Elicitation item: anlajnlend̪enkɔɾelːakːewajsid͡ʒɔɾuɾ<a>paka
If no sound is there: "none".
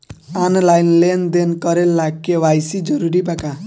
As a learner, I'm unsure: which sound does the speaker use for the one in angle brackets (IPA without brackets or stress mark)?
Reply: i